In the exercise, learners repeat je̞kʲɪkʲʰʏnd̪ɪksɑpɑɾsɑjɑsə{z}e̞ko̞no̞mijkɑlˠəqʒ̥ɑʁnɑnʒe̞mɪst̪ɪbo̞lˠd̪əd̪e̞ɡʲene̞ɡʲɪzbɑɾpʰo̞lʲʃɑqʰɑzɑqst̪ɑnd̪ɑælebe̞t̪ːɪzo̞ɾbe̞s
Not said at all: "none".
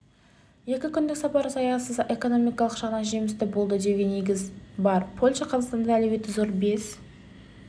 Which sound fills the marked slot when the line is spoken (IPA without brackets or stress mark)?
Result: z